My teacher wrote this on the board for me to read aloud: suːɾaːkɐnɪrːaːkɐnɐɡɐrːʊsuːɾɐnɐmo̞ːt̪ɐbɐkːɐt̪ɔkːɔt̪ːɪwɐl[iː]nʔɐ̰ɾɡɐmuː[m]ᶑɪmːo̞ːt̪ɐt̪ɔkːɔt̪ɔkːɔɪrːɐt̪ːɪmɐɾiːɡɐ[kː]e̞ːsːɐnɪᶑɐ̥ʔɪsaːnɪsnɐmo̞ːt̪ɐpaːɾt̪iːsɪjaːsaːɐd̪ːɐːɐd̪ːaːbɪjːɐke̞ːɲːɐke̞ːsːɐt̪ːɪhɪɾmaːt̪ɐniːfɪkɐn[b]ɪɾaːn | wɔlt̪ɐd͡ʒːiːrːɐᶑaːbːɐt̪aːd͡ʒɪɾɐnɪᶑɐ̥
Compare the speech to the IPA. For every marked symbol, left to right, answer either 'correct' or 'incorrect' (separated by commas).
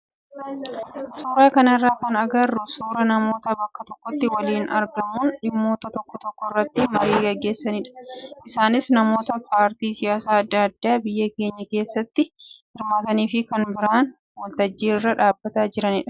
correct, incorrect, incorrect, correct